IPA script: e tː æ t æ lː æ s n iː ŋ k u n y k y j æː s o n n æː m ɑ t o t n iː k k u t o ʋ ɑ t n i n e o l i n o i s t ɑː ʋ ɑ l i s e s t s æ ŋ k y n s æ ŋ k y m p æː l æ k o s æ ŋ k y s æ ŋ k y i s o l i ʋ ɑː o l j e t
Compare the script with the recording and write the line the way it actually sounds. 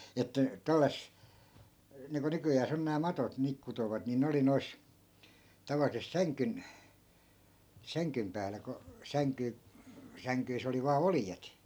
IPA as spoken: e tː æ t æ lː æ s n iː ŋ k u n y k y j æː s o n n æː m ɑ t o t n iː k k u t o ʋ ɑ t n i n e o l i n o i s t ɑ ʋ ɑ l i s e s t s æ ŋ k y n s æ ŋ k y m p æː l æ k o s æ ŋ k y s æ ŋ k y i s o l i ʋ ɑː o l j e t

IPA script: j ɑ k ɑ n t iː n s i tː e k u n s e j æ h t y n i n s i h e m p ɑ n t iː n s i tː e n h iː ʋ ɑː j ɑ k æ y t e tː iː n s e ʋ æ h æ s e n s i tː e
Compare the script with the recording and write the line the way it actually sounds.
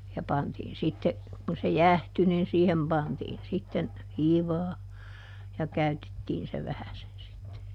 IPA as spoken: j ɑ p ɑ n t iː n s i tː e k u n s e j æ h t y n i n s iː h e m p ɑ n t iː n s i tː e n h iː ʋ ɑː j ɑ k æ y t e tː iː n s e ʋ æ h æ s e n s i tː e

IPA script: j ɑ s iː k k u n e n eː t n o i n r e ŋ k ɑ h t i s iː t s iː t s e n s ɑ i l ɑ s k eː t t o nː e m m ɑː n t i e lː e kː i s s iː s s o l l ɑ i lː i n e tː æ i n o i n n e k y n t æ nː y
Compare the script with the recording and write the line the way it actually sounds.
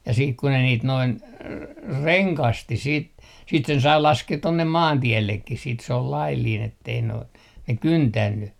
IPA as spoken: j ɑ s iː k k u n e n iː t n o i n r e ŋ k ɑ s t i s iː t s iː t s e n s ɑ i l ɑ s k eː t t o nː e m m ɑː n t i e lː e kː i s s iː t s o l l ɑ i lː i n e tː e i n o i n n e k y n t æ nː y

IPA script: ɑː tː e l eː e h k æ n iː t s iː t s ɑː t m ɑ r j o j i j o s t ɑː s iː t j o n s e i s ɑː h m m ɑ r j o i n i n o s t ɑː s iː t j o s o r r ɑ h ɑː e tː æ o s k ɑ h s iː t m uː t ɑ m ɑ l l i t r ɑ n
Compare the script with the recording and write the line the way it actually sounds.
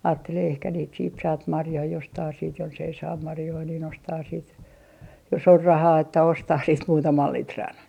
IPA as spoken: ɑː tː e l eː e h k æ n iː t s iː t s ɑː t m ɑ r j o i j o s t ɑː s iː t j o n s e i s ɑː m m ɑ r j o i n i n o s t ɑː s iː t j o s o r r ɑ h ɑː e tː æ o s t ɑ h s iː t m uː t ɑ m ɑ l l i t r ɑ n

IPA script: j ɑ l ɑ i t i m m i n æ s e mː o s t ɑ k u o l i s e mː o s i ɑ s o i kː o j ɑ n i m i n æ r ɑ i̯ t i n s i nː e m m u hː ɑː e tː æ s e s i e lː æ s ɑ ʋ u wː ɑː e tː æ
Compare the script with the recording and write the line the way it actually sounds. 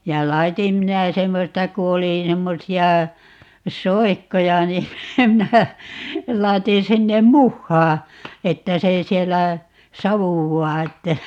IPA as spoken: j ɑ l ɑ i t i m m i n æ s e mː o s t ɑ k u o l i s e mː o s i ɑ s o i kː o j ɑ n i m i n æ l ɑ i̯ t i n s i nː e m m u hː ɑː e tː æ s e s i e lː æ s ɑ ʋ u wː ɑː e tː æ

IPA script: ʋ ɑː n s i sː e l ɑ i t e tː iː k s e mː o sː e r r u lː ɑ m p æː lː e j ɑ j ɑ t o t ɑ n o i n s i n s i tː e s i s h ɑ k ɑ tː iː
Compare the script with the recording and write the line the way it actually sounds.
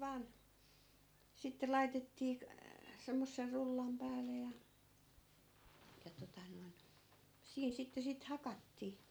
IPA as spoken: ʋ ɑː n s i tː e l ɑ i t e tː iː k s e mː o sː e r r u lː ɑ m p æː l e j ɑ j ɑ t o t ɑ n o i n s iː n s i tː e s i t h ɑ k ɑ tː iː

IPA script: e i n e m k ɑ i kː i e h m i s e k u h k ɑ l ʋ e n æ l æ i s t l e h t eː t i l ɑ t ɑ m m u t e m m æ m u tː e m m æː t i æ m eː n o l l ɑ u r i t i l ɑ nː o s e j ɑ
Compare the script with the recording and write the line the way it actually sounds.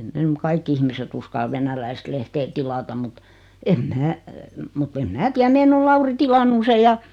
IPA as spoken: e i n e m k ɑ i kː i i h m i s e t u s k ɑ l ʋ e n æ l æ i s t l e h t eː t i l ɑ t ɑ m m u t e m m æː m u tː e m m æː t i æ m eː n o l l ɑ u r i t i l ɑ nː u s e j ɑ

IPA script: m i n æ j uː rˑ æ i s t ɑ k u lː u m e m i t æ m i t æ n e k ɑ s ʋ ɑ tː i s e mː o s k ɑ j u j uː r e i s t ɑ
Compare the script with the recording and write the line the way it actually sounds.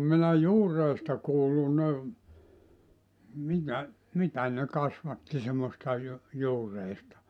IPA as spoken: m i n æ j uː rˑ e i s t ɑ k uː lː u n e m i t æ m i t æ n e k ɑ s ʋ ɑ tː i s e mː o s t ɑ j u j uː r e i s t ɑ

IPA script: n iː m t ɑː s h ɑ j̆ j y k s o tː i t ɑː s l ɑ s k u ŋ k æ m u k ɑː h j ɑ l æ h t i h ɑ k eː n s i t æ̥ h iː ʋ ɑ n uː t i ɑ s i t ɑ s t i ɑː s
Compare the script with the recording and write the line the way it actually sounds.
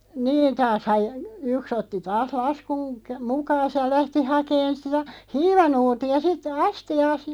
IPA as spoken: n iː n t ɑː s h ɑ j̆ j y k s o tː i t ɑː s l ɑ s k u ŋ k æ m u k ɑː s j ɑ l æ h t i h ɑ k eː n s i t æ̥ h iː ʋ ɑ n uː t i ɑ s i t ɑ s t i ɑː s

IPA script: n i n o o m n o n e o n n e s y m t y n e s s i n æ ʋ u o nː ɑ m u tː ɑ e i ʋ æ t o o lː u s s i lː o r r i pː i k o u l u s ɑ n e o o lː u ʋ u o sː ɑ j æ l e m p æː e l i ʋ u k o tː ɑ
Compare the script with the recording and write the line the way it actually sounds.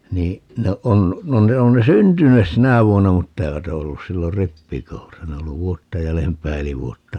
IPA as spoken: n iː n o o n n o n e o n n e s y n t y n e s s i n æ ʋ u o nː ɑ m u tː ɑ e i ʋ æ t o o lː u s s i lː o r r i pː i k o u l u s ɑ n e o o lː u ʋ u o tː ɑ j æ l e m p æː e l i ʋ u o tː ɑ

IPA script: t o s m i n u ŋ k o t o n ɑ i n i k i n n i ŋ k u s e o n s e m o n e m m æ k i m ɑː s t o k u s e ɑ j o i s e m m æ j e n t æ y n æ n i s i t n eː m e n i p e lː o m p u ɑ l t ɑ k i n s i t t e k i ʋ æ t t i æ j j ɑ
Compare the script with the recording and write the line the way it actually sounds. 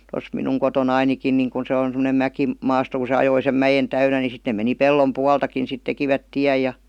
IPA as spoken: t o s m i n u ŋ k o t o n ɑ i n i k i n n i ŋ k u s e o n s e m o n e m m æ k i m ɑː s t o k u s e ɑ j o i s e m m æ j e n t æ y n æ n i s i t n e m e n i p e lː o m p u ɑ l t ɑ k i n s i t t e k i ʋ æ t t i æ j j ɑ

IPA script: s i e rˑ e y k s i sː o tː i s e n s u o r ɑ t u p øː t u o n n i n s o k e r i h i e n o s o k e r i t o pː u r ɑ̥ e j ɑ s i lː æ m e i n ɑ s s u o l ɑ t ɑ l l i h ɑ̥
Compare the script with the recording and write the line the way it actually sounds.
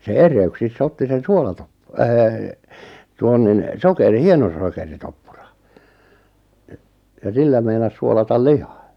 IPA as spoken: s e e rˑ e y k s i sː o tː i s e n s u o l ɑ t o p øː t u o n n i n s o k e r i h i e n o s o k e r i t o pː u r ɑ̥ e j ɑ s i lː æ m e i n ɑ s s u o l ɑ t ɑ l l i h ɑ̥

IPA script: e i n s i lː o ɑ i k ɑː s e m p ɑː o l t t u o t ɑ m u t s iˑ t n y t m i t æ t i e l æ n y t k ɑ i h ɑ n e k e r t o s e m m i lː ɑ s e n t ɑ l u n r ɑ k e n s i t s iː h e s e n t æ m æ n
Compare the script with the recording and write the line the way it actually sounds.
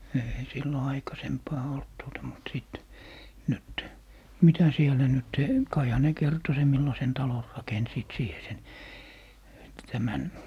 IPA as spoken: e i s i lː o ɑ i k ɑ s e m p ɑː o l t t u o t ɑ m u t s iˑ t n y t m i t æ s i e l æ n y t k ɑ i h ɑ n e k e r t o s e m m i lː ɑ s e n t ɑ l o n r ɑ k e n s iː t s iː h e s e n t æ m æ n

